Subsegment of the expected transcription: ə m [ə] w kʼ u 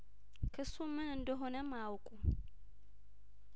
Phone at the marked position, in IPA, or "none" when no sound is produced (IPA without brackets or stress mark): a